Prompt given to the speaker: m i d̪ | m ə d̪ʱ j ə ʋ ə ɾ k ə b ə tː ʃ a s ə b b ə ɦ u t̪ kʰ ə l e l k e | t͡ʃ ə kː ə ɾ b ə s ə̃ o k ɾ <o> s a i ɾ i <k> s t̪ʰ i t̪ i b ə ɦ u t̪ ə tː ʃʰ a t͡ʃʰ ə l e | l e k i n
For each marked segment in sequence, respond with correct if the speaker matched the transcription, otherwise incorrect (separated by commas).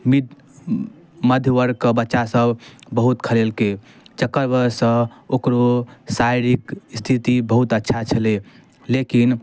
correct, correct